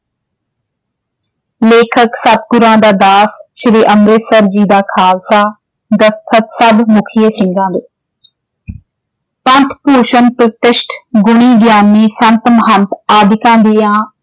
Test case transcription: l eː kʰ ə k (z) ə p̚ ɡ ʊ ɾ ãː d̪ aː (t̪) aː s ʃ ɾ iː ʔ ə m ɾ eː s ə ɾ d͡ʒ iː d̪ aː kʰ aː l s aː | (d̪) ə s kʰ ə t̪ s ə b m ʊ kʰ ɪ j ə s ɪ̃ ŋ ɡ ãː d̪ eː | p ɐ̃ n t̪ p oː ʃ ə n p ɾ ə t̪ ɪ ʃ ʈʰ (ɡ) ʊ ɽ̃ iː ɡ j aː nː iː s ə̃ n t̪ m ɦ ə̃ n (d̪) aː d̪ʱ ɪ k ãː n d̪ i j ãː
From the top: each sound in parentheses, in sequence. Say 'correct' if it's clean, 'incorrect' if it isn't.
incorrect, incorrect, correct, correct, incorrect

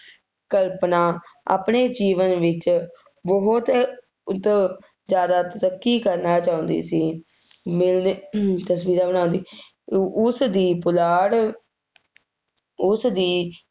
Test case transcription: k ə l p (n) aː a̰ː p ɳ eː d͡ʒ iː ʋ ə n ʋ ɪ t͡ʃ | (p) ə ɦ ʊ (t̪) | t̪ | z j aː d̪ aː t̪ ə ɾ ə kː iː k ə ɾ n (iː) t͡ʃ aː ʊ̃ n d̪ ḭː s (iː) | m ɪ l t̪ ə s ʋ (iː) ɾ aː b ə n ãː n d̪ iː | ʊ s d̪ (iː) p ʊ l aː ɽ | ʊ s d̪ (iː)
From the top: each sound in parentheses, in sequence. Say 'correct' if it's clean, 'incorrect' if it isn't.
correct, incorrect, correct, incorrect, correct, correct, correct, correct

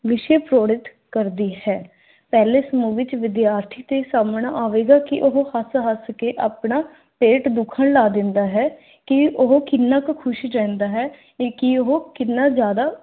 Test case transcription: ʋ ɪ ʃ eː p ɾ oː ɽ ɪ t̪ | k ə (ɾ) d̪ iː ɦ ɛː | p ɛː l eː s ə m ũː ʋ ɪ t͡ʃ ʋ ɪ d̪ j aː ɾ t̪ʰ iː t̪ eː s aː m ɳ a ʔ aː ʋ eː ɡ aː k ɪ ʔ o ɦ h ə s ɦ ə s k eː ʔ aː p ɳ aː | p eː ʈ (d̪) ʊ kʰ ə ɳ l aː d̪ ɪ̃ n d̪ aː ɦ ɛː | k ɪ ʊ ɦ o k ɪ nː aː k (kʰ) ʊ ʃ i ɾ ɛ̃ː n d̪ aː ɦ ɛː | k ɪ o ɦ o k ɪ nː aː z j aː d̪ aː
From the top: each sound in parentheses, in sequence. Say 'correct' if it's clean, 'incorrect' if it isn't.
correct, correct, correct

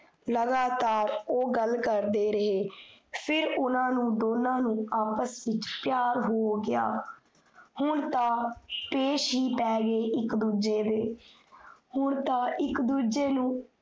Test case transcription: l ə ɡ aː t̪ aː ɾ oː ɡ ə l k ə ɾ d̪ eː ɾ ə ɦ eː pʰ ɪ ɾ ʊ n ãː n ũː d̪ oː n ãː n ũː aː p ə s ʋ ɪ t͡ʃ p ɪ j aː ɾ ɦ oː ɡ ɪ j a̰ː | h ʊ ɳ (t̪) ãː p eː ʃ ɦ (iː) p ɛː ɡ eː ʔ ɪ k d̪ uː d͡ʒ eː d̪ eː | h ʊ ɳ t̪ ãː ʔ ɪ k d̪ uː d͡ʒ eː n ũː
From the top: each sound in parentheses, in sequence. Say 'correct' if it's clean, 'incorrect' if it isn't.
correct, correct

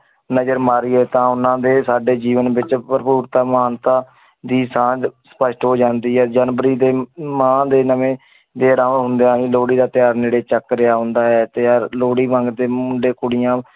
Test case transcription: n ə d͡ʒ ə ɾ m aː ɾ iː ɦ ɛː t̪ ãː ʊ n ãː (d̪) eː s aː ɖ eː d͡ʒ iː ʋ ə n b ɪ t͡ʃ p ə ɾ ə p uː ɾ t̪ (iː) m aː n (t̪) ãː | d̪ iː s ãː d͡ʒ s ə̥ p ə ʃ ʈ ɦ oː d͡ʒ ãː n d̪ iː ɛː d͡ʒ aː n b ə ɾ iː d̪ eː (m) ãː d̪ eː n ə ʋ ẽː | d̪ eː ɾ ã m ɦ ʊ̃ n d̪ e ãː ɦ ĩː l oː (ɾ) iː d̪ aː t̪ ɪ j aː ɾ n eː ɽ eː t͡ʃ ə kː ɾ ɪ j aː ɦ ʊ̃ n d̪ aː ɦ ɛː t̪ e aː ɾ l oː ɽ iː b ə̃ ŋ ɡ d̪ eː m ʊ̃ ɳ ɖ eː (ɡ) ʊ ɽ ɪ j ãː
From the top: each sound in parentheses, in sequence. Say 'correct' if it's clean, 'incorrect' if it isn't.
correct, incorrect, correct, correct, incorrect, incorrect

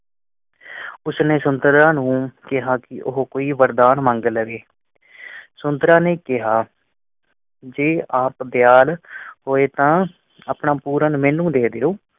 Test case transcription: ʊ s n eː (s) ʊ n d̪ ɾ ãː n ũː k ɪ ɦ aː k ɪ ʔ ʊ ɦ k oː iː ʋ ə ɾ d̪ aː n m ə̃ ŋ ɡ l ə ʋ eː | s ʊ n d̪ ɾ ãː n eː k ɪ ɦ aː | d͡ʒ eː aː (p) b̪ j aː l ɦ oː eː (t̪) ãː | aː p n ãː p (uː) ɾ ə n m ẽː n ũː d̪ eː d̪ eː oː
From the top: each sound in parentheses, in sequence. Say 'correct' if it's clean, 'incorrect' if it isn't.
correct, correct, correct, correct

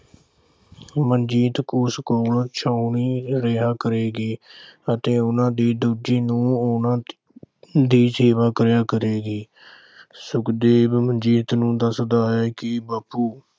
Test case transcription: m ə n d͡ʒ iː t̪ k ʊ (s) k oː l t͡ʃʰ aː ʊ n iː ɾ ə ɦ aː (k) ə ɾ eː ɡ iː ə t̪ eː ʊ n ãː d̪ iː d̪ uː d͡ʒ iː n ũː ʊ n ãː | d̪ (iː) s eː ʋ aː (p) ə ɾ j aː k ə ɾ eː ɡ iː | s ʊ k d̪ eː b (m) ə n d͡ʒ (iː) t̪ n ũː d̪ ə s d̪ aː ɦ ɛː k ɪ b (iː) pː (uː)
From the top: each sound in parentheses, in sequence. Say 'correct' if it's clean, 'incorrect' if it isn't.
correct, correct, correct, incorrect, correct, correct, incorrect, correct

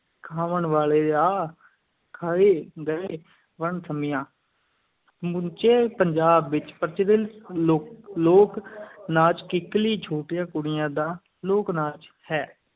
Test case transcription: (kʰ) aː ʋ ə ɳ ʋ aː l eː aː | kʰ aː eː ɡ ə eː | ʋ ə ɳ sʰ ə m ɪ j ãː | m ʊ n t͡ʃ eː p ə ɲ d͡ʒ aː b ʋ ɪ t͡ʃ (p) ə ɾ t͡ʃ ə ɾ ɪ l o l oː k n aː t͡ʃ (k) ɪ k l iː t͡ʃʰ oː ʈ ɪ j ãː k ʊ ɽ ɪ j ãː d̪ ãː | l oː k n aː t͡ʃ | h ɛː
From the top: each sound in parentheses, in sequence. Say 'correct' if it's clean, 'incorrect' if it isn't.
correct, correct, correct

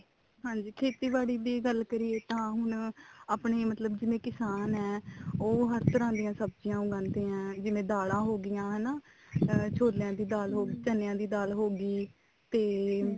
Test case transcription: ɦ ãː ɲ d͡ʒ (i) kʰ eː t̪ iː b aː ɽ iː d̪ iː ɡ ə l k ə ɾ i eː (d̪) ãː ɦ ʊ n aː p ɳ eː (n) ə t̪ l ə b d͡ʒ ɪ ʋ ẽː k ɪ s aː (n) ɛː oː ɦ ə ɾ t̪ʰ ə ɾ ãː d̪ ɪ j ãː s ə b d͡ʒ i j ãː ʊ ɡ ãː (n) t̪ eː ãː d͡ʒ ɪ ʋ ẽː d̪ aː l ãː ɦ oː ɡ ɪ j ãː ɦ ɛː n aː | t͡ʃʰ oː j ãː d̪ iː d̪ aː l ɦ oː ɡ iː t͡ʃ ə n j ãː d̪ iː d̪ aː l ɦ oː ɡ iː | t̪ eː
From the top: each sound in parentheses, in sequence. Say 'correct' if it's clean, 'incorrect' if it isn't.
incorrect, incorrect, incorrect, correct, correct

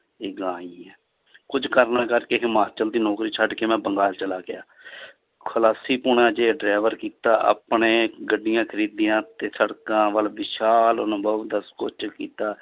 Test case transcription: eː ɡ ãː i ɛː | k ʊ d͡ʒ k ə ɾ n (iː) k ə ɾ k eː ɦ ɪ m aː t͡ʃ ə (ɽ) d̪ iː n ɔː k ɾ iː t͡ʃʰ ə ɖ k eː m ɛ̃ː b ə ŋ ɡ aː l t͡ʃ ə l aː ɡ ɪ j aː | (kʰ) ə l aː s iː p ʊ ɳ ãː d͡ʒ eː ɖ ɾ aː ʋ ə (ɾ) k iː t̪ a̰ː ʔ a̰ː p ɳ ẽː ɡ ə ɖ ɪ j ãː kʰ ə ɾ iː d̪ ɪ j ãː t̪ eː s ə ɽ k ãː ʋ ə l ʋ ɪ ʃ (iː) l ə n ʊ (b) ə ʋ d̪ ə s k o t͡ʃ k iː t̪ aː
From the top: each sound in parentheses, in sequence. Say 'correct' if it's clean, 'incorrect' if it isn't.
incorrect, incorrect, correct, correct, incorrect, correct

